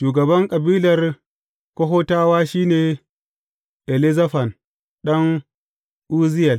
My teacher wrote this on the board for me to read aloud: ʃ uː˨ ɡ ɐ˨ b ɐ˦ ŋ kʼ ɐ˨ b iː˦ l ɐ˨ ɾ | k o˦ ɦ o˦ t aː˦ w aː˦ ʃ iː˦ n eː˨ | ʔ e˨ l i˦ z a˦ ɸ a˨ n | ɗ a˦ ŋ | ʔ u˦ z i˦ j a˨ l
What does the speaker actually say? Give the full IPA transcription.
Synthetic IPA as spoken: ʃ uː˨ ɡ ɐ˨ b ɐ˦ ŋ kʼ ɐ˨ b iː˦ l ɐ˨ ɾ | k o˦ ɦ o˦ t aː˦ w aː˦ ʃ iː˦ n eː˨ | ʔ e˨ l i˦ z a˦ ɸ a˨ n | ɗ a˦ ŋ | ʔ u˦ z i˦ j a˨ l